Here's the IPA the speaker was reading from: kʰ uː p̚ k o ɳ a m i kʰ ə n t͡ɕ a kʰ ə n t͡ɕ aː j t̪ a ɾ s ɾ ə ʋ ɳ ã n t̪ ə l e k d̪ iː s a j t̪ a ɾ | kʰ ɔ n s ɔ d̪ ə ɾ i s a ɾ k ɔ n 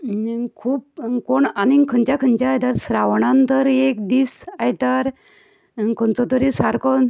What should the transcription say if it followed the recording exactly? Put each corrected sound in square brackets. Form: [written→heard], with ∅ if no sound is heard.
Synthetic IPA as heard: kʰ uː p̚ k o ɳ a [m→n] i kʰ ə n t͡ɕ a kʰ ə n t͡ɕ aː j t̪ a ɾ s ɾ [ə→a] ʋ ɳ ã n t̪ ə [l→ɾ] e k d̪ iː s a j t̪ a ɾ | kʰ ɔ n [s→t͡s] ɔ [d̪→t̪] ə ɾ i s a ɾ k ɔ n